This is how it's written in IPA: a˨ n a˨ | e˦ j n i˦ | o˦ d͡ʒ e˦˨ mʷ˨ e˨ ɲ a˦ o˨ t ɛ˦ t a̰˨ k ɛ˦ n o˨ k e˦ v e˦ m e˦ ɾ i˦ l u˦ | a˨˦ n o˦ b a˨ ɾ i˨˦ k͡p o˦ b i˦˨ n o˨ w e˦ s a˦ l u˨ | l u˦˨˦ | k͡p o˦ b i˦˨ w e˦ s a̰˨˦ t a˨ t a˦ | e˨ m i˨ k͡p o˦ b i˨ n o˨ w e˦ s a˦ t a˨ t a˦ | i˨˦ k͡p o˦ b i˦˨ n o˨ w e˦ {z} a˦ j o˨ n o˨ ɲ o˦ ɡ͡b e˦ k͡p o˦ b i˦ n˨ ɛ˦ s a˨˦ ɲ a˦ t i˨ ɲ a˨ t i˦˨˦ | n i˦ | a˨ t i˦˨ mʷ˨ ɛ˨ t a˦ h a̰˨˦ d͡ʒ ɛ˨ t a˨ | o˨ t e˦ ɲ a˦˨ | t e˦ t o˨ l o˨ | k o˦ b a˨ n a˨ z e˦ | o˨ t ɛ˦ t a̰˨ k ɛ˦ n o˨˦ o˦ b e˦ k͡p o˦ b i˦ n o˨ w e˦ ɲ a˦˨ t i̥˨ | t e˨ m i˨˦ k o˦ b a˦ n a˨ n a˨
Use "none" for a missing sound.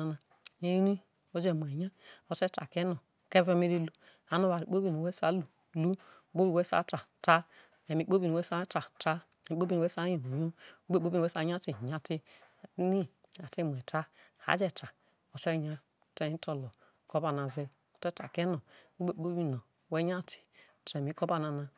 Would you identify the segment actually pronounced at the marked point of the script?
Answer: s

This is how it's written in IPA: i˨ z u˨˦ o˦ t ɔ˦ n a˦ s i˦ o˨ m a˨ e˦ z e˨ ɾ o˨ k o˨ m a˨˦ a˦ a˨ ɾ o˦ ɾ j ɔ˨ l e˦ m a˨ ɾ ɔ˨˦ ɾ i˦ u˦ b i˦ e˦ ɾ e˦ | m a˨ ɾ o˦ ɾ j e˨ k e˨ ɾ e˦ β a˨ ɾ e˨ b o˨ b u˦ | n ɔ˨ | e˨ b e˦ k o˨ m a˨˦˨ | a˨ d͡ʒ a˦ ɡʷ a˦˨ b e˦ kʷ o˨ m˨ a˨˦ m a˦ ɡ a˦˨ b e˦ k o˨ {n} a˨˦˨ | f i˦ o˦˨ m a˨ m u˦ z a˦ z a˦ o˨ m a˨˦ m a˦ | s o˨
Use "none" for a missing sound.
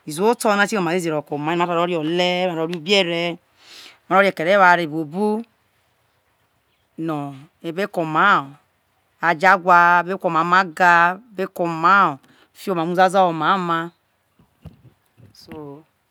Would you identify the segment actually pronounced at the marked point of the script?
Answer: m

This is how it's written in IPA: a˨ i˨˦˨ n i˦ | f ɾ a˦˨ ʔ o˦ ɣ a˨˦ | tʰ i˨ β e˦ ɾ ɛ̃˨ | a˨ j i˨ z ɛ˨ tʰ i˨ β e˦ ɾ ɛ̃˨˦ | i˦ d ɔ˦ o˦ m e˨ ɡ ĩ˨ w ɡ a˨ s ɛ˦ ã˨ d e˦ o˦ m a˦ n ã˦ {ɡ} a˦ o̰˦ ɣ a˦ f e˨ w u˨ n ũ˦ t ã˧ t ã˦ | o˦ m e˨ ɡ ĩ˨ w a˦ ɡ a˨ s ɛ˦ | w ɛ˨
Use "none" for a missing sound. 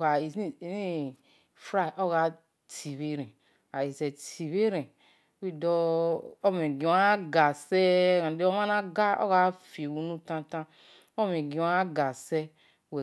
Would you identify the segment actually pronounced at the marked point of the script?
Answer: ɡ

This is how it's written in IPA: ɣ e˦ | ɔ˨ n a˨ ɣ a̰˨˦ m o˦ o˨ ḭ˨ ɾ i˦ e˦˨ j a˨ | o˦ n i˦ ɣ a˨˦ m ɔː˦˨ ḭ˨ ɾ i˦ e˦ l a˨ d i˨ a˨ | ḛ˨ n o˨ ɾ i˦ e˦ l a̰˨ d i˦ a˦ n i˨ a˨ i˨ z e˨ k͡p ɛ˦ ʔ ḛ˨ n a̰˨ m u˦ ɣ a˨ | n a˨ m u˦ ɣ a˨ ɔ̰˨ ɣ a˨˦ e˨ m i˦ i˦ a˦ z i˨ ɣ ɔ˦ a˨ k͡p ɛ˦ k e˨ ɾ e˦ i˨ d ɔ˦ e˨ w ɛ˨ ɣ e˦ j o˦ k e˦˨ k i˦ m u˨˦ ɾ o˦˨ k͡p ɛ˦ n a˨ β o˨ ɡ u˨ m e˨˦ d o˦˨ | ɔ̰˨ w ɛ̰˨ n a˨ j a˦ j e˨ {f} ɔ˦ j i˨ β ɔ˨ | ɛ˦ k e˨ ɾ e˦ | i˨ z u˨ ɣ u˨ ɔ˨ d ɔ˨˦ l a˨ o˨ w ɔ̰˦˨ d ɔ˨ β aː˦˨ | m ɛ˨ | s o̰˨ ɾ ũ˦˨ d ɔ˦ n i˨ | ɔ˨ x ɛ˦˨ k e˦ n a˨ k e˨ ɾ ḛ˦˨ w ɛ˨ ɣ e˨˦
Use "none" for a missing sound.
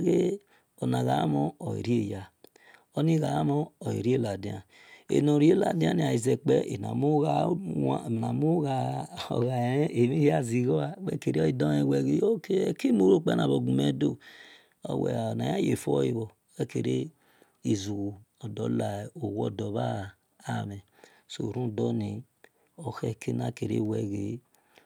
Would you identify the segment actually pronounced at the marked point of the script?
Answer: f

